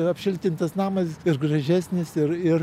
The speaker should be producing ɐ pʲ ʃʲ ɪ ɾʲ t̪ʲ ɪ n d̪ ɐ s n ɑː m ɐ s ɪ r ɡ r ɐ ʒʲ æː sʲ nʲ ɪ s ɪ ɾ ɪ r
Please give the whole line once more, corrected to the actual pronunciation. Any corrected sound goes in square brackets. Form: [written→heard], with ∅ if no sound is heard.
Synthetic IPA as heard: ɐ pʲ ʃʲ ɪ [ɾʲ→lʲ] t̪ʲ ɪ n [d̪→t̪] ɐ s n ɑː m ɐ s ɪ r ɡ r ɐ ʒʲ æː sʲ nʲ ɪ s ɪ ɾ ɪ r